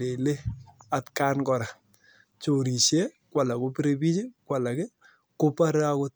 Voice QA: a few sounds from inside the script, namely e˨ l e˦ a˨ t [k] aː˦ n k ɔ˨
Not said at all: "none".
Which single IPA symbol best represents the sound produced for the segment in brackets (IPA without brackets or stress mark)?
k